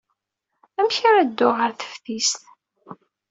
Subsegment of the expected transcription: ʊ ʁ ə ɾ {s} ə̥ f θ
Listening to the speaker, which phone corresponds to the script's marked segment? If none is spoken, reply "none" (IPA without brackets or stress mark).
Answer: θ